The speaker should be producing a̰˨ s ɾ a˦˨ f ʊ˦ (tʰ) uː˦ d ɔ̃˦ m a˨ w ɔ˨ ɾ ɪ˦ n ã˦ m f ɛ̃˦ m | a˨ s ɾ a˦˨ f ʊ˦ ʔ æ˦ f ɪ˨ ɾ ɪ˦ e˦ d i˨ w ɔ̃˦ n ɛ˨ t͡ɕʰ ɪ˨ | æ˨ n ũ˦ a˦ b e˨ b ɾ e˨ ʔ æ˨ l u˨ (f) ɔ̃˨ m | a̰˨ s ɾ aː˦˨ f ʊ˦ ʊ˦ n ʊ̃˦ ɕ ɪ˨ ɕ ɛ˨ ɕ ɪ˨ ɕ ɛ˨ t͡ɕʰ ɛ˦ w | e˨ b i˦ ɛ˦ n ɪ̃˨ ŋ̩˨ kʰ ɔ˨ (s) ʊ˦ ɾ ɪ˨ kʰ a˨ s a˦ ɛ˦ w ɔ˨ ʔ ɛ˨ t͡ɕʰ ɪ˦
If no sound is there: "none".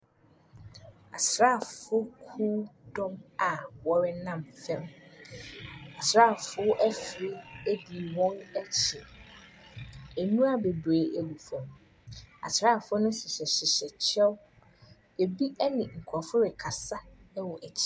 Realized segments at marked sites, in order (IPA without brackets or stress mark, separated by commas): kʰ, f, f